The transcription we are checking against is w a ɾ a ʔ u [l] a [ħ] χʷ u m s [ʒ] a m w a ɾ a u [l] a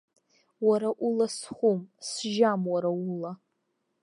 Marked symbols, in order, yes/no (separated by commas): yes, no, yes, yes